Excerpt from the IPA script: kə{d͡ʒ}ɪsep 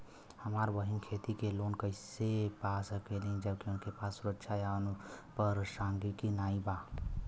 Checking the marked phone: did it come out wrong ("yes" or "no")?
yes